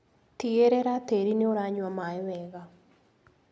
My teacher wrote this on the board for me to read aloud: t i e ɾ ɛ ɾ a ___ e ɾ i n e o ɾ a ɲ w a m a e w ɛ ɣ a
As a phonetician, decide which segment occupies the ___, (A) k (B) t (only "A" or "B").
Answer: B